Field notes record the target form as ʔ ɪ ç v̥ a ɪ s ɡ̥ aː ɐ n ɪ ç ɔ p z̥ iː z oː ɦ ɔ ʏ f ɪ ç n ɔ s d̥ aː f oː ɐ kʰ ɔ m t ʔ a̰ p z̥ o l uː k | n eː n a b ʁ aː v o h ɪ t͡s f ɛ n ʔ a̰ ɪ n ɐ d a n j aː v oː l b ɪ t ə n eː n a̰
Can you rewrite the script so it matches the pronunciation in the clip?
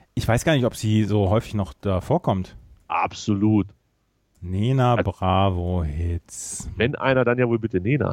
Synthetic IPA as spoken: ʔ ɪ ç v̥ a ɪ s ɡ̥ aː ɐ n ɪ ç ɔ p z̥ iː z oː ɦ ɔ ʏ f ɪ ç n ɔ χ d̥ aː f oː ɐ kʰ ɔ m t ʔ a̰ p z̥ o l uː t | n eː n a b ʁ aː v o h ɪ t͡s v ɛ n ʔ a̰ ɪ n ɐ d a n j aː v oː l b ɪ t ə n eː n a̰